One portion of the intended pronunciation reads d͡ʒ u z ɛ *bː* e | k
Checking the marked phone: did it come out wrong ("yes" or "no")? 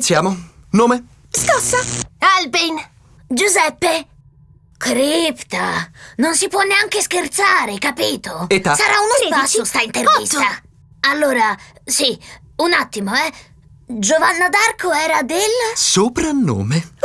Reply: yes